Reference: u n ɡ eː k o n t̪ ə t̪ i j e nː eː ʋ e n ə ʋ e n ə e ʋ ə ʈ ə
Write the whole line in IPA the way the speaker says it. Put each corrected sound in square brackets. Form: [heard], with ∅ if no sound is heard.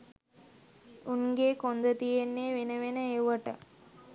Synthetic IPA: u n ɡ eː k o n [d̪] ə t̪ i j e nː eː ʋ e n ə ʋ e n ə e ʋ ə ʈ ə